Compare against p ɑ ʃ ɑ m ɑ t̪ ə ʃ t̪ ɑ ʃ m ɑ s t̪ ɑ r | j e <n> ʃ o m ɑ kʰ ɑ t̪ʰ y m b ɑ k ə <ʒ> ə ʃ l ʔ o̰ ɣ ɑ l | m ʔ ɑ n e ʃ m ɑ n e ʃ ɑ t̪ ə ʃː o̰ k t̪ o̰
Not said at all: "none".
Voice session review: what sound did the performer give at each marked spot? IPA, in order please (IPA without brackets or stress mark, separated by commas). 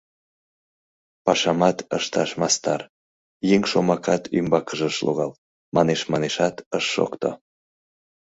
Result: ŋ, ʒ